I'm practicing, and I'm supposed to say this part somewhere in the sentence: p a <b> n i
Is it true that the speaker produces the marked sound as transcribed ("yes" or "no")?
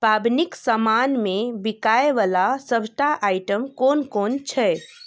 yes